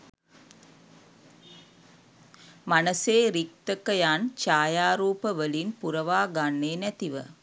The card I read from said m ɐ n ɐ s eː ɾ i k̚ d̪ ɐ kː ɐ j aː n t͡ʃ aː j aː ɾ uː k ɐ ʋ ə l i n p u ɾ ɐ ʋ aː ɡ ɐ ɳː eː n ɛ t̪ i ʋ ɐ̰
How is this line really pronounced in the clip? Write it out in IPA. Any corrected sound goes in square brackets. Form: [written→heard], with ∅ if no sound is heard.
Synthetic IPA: m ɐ n ɐ s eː ɾ i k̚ [d̪→t̪] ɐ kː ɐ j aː n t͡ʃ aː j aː ɾ uː [k→p] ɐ ʋ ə l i n p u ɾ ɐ ʋ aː ɡ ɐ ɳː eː n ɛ t̪ i ʋ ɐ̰